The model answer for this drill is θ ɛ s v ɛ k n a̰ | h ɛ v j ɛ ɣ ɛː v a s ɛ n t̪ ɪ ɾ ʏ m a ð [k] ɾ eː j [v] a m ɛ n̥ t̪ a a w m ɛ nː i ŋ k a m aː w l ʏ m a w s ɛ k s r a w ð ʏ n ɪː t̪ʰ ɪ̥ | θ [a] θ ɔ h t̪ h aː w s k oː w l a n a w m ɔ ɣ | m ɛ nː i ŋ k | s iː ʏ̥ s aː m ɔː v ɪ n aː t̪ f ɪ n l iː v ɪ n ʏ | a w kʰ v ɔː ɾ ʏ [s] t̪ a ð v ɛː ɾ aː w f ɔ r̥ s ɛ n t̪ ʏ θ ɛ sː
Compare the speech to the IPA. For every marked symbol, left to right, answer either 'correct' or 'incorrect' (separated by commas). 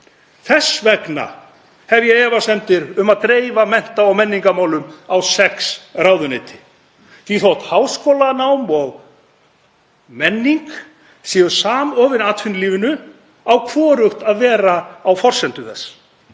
correct, correct, incorrect, incorrect